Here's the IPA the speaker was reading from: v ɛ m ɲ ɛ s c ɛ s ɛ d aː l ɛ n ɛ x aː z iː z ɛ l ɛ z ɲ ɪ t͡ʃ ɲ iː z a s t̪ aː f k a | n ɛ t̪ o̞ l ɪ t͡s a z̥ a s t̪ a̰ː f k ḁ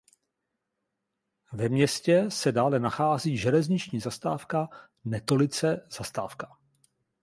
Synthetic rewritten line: v ɛ m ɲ ɛ s c ɛ s ɛ d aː l ɛ n a x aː z iː ʒ ɛ l ɛ z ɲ ɪ t͡ʃ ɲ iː z a s t̪ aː f k a | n ɛ t̪ o̞ l ɪ t͡s ɛ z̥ a s t̪ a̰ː f k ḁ